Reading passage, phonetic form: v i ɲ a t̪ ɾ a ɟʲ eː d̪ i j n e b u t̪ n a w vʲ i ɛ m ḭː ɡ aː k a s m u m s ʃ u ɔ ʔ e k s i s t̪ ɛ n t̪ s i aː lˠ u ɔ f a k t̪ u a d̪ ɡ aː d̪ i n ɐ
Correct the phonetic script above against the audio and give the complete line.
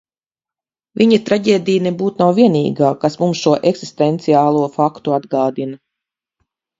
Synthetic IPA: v i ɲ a t̪ ɾ a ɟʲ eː d̪ i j n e b uː t̪ n a w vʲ i ɛ n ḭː ɡ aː k a s m u m s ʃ u ɔ ʔ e k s i s t̪ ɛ n t̪ s i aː lˠ u ɔ f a k t̪ u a d̪ ɡ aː d̪ i n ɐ